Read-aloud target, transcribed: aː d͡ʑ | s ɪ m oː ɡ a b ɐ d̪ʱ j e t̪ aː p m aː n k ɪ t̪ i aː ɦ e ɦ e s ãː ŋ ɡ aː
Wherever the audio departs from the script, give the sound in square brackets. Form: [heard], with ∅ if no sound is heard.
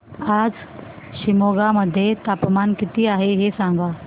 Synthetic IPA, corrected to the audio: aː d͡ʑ | [ʃ] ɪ m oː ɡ a [m] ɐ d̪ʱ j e t̪ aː p m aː n k ɪ t̪ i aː ɦ e ɦ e s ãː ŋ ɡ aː